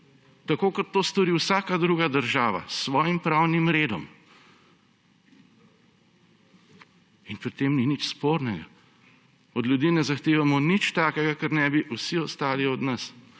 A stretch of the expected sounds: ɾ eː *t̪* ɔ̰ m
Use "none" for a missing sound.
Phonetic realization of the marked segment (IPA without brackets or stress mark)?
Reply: d̪